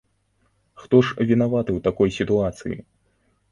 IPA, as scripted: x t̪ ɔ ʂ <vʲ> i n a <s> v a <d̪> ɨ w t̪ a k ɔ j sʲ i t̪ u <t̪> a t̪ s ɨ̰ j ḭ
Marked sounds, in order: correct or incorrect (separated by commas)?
correct, incorrect, incorrect, incorrect